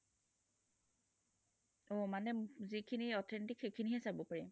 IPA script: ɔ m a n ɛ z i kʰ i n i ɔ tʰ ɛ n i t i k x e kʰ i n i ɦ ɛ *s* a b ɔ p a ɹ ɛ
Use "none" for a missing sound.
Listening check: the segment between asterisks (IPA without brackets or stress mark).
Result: s